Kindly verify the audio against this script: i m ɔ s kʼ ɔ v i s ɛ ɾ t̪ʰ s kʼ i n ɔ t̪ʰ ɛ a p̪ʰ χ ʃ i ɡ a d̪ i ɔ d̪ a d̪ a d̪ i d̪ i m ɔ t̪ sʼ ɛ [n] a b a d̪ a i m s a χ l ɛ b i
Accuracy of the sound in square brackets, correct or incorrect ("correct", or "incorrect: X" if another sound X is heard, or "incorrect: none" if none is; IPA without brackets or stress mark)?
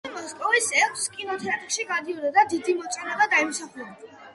correct